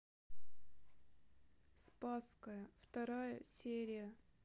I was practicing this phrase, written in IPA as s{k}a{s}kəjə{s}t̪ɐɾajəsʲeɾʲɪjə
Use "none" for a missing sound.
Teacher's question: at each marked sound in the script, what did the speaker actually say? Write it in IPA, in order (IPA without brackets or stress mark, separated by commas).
p, s, f